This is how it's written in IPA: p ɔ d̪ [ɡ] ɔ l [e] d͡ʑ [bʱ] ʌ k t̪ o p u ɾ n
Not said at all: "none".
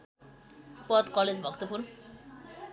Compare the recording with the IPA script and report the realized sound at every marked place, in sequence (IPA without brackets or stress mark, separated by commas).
k, e, bʱ